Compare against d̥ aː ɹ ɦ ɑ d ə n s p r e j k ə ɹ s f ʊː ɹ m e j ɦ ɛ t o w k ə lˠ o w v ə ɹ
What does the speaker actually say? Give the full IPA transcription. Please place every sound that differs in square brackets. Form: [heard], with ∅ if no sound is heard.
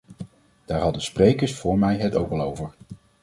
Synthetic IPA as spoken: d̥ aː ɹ ɦ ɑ d ə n s p r e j k ə ɹ s f ʊː ɹ m [ɛ] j ɦ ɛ t o w k [ɑ] lˠ o w v ə ɹ